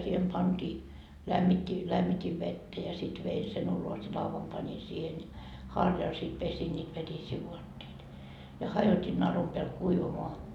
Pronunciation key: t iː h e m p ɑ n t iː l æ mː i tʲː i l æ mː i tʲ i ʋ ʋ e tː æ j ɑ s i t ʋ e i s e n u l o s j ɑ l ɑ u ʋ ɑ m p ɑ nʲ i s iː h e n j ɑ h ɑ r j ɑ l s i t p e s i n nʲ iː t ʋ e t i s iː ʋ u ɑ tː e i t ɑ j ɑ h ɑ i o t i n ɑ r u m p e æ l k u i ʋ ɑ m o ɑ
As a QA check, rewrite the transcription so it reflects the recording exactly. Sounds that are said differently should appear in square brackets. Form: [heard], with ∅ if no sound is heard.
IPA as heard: [s] iː h e m p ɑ n t iː l æ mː i tʲː i l æ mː i tʲ i ʋ ʋ e tː æ j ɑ s i t ʋ e i s e n u l o s j ɑ l ɑ u ʋ ɑ m p ɑ nʲ i s iː h e n j ɑ h ɑ r j ɑ l s i t p e s i n nʲ iː t ʋ e t i s iː ʋ u ɑ tː e i t ɑ j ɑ h ɑ [j] o t i n ɑ r u m p e æ l k u i ʋ ɑ m o ɑ